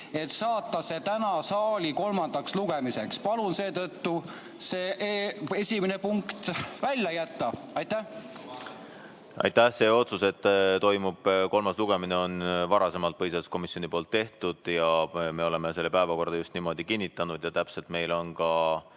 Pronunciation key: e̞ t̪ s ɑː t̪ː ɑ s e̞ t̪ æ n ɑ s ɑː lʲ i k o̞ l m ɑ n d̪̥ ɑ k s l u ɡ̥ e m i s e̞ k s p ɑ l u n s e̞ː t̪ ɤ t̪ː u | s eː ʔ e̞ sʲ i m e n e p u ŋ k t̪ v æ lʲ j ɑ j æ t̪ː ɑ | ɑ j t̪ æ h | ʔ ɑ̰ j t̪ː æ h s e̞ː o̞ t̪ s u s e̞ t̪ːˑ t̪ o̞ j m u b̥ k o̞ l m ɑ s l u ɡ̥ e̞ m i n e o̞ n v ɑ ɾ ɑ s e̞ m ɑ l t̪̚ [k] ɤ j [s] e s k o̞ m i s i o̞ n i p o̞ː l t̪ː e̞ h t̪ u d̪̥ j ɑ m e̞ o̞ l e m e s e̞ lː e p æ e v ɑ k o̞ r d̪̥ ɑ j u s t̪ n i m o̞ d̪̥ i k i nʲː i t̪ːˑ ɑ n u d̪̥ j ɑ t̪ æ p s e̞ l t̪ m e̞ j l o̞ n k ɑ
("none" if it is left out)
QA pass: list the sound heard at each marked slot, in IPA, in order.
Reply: p, s

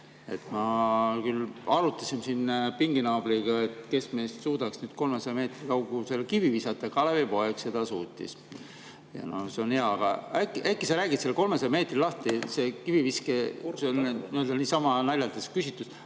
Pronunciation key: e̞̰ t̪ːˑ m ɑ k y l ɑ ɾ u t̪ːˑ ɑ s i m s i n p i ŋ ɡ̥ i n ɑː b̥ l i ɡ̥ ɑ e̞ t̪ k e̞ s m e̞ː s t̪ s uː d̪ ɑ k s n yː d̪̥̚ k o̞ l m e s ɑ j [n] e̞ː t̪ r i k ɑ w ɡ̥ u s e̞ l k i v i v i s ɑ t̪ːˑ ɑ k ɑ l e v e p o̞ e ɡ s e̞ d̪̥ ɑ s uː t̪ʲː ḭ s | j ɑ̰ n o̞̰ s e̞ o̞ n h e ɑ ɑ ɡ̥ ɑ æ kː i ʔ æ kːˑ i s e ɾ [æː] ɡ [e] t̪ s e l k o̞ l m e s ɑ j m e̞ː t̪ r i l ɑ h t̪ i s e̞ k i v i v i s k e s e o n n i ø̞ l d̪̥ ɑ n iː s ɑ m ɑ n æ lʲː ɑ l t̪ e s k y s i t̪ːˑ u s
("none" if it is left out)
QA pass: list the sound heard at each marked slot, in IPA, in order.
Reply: m, æː, i

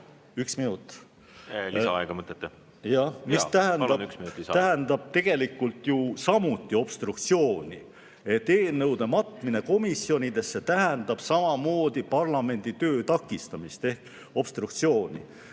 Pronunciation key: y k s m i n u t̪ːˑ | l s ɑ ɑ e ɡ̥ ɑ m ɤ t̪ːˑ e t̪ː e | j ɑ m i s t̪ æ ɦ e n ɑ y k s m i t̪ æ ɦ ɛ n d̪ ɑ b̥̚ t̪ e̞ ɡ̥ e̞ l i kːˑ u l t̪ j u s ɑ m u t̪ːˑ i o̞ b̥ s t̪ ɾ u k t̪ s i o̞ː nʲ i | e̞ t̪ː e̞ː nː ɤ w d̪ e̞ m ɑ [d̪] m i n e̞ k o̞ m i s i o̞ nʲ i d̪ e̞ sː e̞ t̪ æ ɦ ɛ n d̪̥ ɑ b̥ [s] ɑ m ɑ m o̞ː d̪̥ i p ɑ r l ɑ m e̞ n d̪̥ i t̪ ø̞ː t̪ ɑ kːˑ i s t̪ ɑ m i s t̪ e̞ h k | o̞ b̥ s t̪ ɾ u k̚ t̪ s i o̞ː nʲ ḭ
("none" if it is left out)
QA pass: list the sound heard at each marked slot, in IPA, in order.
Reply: t̪, s

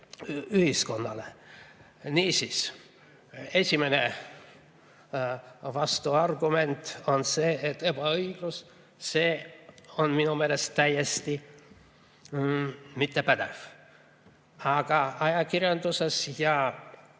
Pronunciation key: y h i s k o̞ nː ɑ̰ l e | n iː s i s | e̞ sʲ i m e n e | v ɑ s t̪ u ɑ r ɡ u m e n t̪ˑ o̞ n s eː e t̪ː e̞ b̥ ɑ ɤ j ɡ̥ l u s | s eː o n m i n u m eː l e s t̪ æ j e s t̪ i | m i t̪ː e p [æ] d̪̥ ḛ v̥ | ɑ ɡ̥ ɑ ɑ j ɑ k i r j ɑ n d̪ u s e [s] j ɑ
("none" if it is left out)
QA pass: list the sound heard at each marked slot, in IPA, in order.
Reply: æ, s

